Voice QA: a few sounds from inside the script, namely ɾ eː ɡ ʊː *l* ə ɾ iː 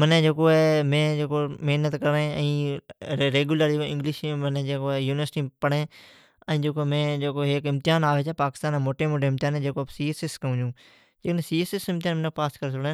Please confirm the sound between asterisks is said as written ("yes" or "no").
yes